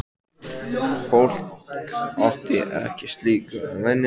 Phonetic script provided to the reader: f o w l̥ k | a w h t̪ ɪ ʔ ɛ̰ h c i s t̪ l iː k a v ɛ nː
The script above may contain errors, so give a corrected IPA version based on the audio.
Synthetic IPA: f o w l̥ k | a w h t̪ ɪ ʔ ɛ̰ h c ɪ s t̪ l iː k a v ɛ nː